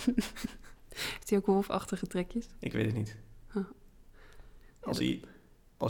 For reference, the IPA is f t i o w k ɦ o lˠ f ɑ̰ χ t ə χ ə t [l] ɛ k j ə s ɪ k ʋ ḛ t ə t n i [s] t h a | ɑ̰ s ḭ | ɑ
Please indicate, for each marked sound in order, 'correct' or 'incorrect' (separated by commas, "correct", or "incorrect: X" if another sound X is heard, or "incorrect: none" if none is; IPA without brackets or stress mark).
incorrect: r, incorrect: none